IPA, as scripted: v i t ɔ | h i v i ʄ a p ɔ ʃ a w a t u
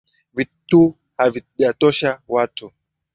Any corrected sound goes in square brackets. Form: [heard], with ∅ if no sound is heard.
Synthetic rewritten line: v i t [u] | h [a] v i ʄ a [t] ɔ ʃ a w a t u